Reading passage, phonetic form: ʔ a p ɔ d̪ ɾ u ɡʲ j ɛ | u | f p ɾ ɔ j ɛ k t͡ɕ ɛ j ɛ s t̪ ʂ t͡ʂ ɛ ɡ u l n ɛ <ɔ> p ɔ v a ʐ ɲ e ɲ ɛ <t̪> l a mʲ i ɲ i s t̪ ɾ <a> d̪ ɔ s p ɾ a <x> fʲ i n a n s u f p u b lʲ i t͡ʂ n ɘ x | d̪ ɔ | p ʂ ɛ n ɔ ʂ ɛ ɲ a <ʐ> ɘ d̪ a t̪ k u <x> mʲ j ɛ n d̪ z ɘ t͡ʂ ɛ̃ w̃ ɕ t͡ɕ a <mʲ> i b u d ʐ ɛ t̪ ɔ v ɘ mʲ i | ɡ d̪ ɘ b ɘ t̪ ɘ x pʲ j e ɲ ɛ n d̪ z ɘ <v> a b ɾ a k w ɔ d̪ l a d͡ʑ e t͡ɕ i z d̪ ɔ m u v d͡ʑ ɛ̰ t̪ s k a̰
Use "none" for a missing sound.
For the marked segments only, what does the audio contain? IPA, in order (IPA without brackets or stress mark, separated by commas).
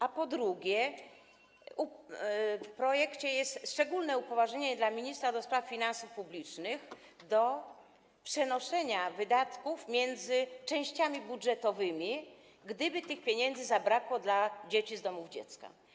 u, d̪, a, f, v, f, mʲ, z